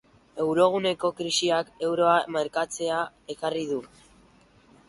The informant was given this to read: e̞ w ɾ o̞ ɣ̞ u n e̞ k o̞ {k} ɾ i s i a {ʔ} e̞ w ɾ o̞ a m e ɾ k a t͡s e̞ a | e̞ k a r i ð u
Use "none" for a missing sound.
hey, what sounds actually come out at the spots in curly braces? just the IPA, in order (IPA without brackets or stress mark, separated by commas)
k, k